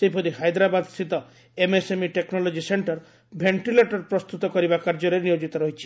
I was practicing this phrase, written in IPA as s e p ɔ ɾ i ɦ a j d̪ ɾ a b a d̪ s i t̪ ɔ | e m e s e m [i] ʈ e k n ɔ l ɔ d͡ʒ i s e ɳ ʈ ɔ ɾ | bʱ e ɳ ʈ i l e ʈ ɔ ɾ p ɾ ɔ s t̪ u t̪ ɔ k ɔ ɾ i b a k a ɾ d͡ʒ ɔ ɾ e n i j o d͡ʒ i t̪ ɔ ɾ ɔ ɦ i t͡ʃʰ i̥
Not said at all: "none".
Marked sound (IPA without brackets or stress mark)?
i